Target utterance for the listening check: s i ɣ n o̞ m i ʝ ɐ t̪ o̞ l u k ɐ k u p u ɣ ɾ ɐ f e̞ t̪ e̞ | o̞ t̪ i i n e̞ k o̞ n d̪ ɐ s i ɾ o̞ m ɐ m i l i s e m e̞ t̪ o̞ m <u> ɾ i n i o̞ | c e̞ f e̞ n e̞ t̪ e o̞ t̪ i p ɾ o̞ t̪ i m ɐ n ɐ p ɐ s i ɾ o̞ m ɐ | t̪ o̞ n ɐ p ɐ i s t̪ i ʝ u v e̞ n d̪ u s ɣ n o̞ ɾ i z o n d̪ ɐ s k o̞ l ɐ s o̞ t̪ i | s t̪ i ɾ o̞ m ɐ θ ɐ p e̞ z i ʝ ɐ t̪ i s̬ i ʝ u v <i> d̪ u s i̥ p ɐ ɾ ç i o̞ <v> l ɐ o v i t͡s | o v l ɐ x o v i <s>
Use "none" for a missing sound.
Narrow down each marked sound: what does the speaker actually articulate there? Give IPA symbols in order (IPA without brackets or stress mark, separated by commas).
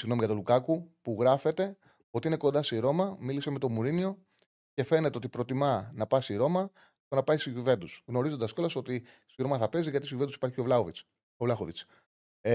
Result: u, e, v, t͡s